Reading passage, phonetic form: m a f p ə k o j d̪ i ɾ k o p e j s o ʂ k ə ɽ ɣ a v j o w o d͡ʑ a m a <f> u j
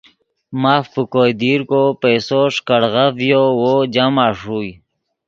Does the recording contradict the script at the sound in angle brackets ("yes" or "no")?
yes